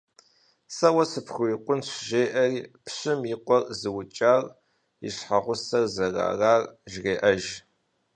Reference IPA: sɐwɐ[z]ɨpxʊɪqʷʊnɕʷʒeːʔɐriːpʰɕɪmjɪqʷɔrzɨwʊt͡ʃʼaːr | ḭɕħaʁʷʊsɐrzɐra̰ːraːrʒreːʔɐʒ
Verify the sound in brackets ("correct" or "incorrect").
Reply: incorrect